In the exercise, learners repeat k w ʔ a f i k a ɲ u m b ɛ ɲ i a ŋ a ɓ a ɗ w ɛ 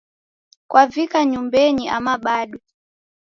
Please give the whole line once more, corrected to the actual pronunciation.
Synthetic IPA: k w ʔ a v i k a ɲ u m b ɛ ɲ i a m a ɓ a ɗ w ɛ